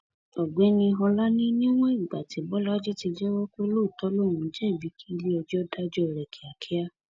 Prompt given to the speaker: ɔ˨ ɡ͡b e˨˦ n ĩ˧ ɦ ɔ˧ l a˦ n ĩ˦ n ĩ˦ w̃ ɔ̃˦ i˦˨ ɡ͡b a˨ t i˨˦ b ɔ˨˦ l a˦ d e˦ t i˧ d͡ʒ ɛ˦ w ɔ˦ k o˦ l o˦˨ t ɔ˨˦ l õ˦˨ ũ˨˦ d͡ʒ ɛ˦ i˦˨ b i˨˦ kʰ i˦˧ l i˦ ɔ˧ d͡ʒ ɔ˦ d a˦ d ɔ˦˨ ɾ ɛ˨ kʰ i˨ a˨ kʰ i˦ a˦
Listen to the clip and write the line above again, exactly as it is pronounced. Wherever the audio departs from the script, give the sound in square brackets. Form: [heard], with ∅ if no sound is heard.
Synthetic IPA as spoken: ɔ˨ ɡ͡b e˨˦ n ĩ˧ ɦ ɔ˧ l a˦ n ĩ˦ n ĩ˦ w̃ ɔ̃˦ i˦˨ ɡ͡b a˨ t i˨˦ b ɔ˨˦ l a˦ [d͡ʒ] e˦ t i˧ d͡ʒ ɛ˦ w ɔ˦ k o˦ l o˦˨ t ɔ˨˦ l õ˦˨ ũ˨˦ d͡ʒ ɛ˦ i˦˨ b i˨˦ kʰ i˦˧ l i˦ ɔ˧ d͡ʒ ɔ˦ d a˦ [d͡ʒ] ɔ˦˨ ɾ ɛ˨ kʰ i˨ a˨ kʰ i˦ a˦